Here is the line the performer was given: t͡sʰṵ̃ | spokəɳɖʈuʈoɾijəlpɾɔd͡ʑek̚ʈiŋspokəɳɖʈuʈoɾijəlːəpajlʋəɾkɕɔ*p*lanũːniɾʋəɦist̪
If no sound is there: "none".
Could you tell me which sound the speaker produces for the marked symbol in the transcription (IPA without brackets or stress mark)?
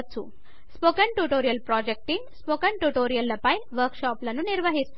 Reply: p